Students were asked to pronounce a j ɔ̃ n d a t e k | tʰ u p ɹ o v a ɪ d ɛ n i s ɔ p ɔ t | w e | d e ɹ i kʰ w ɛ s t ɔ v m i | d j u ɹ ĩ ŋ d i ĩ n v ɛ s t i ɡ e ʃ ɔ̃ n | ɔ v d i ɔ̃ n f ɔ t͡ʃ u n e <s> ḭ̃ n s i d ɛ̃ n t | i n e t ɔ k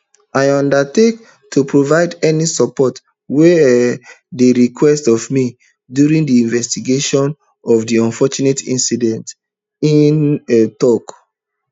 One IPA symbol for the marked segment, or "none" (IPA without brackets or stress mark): t